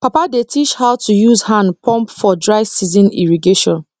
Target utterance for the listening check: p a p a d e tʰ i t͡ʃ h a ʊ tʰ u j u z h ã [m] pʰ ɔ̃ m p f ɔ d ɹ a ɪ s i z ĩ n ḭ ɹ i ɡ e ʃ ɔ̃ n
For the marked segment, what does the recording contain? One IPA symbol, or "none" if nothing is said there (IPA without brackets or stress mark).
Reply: n